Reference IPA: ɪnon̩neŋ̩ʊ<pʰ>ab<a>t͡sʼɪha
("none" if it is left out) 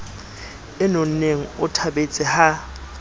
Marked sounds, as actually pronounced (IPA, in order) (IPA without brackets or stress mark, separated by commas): tʰ, e